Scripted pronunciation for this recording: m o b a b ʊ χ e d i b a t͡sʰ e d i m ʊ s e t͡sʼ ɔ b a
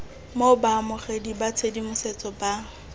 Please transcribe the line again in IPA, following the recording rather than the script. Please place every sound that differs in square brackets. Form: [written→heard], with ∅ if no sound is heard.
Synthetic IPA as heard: m o b a [b→m] ʊ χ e d i b a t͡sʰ e d i m ʊ s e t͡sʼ ɔ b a